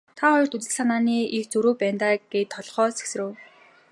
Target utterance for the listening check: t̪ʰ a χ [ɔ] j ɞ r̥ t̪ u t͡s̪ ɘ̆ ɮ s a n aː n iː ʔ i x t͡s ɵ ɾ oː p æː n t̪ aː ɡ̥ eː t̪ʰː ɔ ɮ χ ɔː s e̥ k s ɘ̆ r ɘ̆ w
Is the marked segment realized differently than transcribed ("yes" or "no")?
no